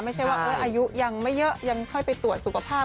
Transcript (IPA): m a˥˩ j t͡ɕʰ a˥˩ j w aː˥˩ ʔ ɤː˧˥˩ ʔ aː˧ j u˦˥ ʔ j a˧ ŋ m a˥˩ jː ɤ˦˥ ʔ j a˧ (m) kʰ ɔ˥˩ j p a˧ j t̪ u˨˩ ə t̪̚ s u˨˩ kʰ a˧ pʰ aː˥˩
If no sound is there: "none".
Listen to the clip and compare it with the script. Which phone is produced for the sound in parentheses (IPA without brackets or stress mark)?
ŋ